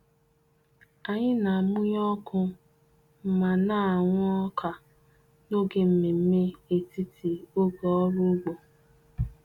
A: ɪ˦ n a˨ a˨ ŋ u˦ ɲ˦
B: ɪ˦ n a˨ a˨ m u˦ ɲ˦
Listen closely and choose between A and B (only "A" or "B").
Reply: B